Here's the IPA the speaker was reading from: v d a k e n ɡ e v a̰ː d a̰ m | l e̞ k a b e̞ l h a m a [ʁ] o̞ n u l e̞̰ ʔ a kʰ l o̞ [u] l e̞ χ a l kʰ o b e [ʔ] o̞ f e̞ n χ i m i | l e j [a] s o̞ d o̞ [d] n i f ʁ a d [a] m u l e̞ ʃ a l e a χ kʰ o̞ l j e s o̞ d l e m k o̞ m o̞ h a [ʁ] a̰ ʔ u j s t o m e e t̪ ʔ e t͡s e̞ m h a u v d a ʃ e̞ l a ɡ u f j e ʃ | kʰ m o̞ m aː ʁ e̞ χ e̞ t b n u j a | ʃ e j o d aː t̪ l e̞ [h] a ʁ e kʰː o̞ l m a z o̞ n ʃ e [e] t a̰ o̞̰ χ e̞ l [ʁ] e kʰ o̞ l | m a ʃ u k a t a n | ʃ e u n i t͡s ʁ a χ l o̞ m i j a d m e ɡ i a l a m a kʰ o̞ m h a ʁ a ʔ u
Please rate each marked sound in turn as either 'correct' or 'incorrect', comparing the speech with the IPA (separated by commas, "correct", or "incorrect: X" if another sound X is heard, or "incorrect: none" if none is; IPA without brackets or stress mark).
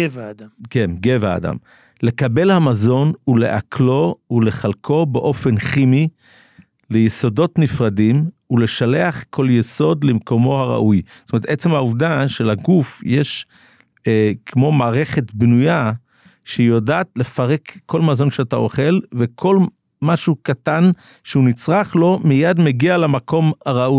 incorrect: z, correct, correct, incorrect: e, incorrect: t, incorrect: i, correct, incorrect: f, incorrect: a, incorrect: v